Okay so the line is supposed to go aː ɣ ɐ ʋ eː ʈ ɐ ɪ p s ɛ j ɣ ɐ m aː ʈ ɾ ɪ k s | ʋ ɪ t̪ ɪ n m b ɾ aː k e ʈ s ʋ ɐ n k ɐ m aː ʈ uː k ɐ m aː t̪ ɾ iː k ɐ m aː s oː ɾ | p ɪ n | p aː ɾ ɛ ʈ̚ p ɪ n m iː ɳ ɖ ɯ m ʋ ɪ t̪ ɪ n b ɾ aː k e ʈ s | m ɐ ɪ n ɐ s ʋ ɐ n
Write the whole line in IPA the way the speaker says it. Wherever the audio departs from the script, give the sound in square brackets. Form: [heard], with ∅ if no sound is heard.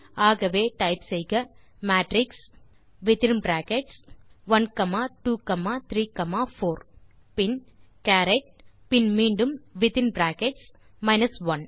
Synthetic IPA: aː ɣ ɐ ʋ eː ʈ ɐ ɪ p s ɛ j ɣ ɐ m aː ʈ ɾ ɪ k s | ʋ ɪ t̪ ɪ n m b ɾ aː k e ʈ s ʋ ɐ n k ɐ m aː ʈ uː k ɐ m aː t̪ ɾ iː k ɐ m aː [f] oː ɾ | p ɪ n | [k] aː ɾ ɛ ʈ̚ p ɪ n m iː ɳ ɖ ɯ m ʋ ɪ t̪ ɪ n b ɾ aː k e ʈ s | m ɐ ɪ n ɐ s ʋ ɐ n